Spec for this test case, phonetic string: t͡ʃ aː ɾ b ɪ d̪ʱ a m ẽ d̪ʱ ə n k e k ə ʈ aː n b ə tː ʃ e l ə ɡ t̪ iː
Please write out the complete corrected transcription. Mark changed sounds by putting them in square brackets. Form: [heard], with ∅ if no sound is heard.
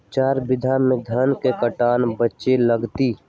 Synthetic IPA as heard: t͡ʃ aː ɾ b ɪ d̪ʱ a m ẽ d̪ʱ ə n k e k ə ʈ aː n b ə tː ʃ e l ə ɡ t̪ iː